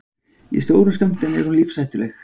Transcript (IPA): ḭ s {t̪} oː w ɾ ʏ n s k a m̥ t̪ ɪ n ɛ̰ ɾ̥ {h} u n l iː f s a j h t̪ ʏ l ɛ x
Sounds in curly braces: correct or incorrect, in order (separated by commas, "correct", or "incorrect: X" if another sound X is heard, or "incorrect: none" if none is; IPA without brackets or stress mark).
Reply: correct, correct